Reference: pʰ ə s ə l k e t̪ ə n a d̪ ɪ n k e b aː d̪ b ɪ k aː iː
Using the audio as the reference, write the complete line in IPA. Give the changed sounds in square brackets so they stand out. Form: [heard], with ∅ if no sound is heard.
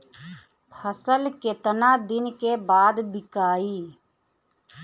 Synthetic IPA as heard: pʰ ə s ə l k e t̪ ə n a d̪ ɪ n k e b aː d̪ b ɪ k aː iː